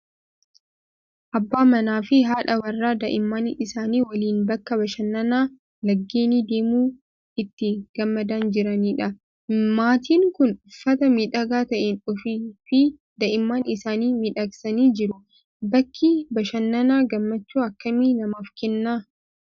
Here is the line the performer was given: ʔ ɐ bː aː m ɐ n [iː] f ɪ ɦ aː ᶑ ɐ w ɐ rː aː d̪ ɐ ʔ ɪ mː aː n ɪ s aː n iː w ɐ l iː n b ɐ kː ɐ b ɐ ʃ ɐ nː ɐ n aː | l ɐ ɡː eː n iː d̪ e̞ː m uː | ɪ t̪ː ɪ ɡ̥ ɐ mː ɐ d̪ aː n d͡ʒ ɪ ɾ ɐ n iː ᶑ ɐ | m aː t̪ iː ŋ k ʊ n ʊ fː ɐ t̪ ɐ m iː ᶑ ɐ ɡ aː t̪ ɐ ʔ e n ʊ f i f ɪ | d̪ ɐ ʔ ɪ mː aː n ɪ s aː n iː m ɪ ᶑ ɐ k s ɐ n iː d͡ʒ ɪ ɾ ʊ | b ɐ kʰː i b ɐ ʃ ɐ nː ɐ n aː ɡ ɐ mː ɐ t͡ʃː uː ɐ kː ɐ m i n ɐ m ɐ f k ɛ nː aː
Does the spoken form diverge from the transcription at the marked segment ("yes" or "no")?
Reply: yes